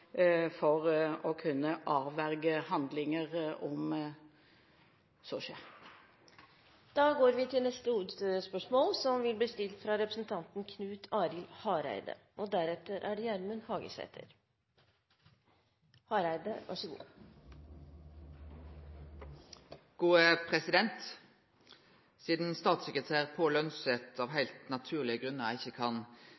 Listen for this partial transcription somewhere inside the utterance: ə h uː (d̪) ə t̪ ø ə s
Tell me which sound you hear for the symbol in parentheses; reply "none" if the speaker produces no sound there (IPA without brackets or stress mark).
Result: d̪